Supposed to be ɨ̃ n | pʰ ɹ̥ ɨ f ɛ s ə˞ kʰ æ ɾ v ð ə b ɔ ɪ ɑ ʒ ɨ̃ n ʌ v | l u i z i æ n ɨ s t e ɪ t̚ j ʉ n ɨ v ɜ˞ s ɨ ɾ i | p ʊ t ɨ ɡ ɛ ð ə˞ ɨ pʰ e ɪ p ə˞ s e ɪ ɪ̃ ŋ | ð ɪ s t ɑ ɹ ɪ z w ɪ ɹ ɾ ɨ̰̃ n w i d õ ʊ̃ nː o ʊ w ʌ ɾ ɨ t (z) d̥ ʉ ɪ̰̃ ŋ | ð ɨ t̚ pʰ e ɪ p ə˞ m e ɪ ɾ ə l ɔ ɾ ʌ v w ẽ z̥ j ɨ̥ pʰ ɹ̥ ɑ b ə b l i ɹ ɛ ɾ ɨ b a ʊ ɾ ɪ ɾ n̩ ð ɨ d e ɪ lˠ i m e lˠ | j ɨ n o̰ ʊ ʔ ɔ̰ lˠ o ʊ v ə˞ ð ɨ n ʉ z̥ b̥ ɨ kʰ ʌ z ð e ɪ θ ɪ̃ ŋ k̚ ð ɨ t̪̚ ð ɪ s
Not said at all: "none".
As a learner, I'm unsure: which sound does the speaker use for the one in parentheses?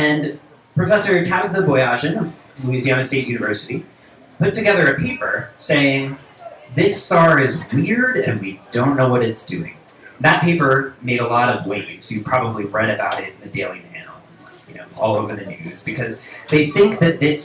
s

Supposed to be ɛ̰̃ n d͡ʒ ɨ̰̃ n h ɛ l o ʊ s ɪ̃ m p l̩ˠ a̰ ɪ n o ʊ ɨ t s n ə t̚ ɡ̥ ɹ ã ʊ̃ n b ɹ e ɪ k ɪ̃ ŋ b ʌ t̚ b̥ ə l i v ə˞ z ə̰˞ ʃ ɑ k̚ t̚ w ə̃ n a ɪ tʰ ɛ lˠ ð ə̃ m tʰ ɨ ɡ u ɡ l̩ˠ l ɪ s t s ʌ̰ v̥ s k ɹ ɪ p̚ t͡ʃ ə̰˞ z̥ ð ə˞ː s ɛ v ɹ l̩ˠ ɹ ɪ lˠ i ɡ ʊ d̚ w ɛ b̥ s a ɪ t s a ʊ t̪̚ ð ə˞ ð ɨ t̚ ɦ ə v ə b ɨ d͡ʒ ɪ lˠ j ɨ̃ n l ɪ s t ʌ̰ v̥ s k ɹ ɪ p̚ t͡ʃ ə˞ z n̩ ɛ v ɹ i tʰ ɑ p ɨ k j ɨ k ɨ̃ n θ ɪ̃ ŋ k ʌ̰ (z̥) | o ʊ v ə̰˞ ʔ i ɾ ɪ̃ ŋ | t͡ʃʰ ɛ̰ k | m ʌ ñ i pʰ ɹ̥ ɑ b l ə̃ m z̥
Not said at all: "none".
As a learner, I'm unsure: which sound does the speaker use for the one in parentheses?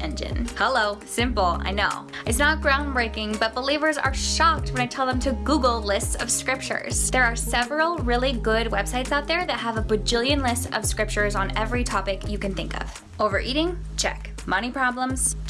v̥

